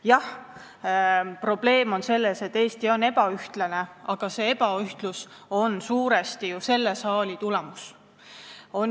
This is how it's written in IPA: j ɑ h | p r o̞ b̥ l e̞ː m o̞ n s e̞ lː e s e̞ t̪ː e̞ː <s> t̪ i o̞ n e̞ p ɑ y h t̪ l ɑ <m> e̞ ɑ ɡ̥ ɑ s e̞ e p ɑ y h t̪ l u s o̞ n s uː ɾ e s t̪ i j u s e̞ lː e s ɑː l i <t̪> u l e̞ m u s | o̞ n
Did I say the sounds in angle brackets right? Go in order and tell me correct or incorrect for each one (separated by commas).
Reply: correct, incorrect, correct